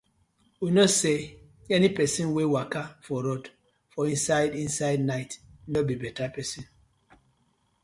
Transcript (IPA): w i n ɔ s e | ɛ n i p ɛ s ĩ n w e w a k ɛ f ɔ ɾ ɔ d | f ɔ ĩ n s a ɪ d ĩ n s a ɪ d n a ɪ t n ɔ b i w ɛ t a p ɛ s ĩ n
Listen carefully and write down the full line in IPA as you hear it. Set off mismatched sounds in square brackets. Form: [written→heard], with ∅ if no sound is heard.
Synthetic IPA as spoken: w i n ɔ s e | ɛ n i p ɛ s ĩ n w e w a k [ɛ→a] f ɔ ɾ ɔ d | f ɔ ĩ n s a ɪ d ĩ n s a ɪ d n a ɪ t n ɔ b i [w→b] ɛ t a p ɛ s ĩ n